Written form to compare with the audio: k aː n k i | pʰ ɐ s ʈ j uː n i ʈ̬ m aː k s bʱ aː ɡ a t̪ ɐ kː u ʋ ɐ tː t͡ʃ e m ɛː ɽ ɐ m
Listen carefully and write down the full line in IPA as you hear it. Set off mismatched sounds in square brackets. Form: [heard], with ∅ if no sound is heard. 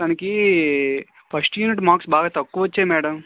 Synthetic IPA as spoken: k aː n k i | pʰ ɐ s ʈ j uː n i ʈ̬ m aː k s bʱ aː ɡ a t̪ ɐ kː u ʋ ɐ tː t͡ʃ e m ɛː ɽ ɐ m